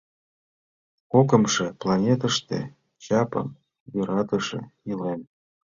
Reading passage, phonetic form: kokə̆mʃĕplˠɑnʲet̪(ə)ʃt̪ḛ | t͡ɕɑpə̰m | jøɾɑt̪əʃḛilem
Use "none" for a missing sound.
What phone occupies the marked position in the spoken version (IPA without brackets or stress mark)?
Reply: ə